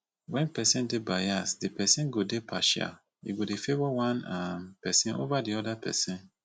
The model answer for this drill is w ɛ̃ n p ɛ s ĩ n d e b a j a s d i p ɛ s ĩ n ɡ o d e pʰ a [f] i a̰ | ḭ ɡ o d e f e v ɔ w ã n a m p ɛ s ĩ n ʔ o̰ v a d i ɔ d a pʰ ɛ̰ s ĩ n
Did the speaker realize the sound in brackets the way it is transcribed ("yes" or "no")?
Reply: no